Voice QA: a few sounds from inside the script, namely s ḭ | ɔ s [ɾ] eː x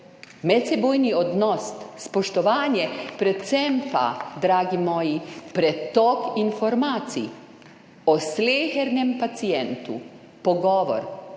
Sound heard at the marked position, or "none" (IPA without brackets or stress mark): l